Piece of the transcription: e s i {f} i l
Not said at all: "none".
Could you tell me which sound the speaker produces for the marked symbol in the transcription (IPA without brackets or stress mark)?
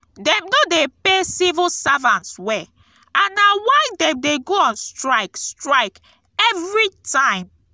v